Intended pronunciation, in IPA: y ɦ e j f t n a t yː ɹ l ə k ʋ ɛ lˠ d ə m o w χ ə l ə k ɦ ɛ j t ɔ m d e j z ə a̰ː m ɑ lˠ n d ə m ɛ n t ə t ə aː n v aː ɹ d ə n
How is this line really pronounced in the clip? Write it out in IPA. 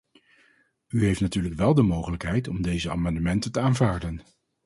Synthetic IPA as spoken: y ɦ e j f t n a t yː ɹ l ə k ʋ ɛ lˠ d ə m o w χ ə l ə k ɦ ɛ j t ɔ m d e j z ə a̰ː m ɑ n d ə m ɛ n t ə t ə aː n v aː ɹ d ə n